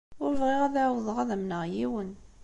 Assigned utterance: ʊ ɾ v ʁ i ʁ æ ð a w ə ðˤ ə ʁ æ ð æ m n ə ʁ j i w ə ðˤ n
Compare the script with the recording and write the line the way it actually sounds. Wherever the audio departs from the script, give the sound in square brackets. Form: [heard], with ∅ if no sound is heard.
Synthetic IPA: ʊ ɾ v ʁ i ʁ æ ð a w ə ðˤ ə ʁ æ ð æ m n ə ʁ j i w ə [∅] n